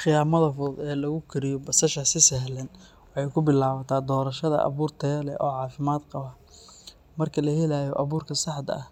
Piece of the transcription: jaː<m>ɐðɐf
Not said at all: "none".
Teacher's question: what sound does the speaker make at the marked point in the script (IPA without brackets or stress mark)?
m